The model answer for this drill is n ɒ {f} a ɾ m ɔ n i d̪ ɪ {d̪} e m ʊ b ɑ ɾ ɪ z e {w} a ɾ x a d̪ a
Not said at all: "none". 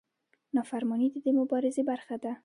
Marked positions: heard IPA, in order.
f, d̪, b

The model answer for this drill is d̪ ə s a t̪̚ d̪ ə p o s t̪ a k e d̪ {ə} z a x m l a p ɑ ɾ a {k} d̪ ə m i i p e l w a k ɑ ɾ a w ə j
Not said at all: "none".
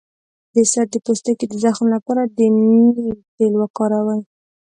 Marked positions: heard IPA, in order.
ə, none

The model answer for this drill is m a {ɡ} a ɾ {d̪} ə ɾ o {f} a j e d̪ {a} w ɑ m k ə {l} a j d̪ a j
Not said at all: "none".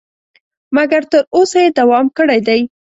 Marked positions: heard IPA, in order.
ɡ, t̪, s, a, ɽ

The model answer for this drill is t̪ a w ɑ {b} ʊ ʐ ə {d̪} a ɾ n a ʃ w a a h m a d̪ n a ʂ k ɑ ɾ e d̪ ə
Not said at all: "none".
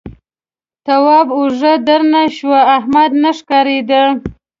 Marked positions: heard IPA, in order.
b, d̪

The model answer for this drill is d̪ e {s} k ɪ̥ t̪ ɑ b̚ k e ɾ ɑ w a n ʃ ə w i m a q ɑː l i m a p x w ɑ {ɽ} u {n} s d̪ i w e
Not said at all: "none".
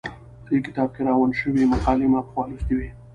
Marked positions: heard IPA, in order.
none, l, none

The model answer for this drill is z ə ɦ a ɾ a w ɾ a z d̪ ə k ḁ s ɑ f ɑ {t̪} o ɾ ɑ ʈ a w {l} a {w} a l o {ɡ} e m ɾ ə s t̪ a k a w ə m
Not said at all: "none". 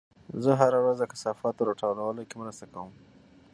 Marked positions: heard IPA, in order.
t̪, l, w, k

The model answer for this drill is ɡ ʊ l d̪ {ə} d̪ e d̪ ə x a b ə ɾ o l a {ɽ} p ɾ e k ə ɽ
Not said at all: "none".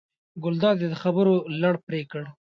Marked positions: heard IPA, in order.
ɑ, ɽ

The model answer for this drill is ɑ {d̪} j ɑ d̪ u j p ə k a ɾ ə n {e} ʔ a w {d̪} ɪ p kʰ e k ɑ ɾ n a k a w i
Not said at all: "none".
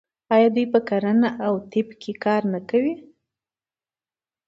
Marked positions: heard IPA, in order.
none, a, t̪

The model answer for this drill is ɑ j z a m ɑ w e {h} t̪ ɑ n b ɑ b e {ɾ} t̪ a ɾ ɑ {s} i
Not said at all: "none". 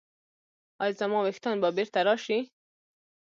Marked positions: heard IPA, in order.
x, ɾ, ʃ

